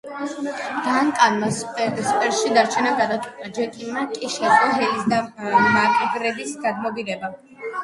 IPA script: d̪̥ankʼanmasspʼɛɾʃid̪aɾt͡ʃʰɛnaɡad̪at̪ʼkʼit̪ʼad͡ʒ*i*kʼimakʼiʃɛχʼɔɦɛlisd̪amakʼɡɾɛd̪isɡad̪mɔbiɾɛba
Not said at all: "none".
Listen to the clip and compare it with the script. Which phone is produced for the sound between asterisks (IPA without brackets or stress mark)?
ɛ